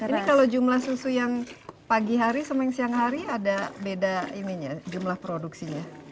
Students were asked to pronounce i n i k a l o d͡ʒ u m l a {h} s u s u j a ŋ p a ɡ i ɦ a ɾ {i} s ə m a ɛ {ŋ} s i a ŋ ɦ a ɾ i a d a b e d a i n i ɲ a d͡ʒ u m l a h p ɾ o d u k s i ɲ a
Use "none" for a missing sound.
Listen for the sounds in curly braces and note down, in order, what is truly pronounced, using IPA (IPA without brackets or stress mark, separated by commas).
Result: h, i, ŋ